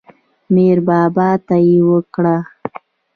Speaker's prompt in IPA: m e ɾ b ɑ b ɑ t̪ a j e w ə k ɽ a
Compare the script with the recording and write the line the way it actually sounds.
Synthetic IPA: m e ɾ b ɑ b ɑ t̪ a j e w ə k ɽ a